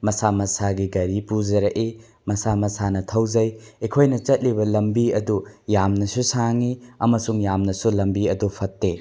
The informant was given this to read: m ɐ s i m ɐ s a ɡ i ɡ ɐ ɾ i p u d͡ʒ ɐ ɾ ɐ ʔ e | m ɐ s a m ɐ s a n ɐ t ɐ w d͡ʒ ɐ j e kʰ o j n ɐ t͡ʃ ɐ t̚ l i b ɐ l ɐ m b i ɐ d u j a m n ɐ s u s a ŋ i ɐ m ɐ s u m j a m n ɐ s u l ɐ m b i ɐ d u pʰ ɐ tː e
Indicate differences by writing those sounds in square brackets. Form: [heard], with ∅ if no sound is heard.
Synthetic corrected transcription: m ɐ s [a] m ɐ s a ɡ i ɡ ɐ ɾ i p u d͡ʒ ɐ ɾ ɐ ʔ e | m ɐ s a m ɐ s a n ɐ [tʰ] ɐ w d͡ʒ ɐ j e kʰ o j n ɐ t͡ʃ ɐ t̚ l i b ɐ l ɐ m b i ɐ d u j a m n ɐ s u s a ŋ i ɐ m ɐ s u [ŋ] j a m n ɐ s u l ɐ m b i ɐ d u pʰ ɐ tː e